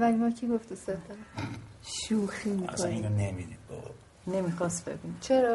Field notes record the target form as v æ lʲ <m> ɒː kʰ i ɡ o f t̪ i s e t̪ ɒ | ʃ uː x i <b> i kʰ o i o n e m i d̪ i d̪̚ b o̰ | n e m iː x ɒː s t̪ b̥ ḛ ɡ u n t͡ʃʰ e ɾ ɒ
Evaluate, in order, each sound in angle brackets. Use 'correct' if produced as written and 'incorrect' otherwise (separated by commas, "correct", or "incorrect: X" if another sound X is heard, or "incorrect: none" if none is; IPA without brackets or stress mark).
correct, incorrect: m